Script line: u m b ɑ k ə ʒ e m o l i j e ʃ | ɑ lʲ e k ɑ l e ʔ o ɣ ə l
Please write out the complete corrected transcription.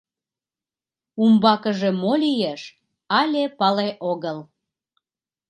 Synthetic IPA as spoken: u m b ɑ k ə ʒ e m o l i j e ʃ | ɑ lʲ e p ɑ l e ʔ o ɣ ə l